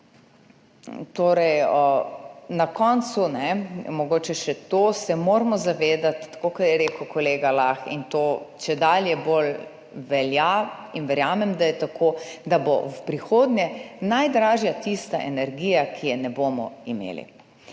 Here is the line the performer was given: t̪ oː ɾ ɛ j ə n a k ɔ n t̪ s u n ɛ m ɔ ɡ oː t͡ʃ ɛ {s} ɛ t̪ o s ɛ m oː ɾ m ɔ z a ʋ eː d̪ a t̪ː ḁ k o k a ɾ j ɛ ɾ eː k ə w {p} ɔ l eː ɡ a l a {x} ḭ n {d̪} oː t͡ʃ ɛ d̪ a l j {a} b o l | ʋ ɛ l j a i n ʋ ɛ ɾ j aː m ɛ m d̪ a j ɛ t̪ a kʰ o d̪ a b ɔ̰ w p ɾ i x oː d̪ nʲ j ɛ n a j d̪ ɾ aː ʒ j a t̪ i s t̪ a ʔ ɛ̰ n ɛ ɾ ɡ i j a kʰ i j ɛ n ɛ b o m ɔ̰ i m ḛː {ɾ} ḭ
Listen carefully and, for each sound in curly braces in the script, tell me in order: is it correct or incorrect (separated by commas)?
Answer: incorrect, incorrect, correct, incorrect, incorrect, incorrect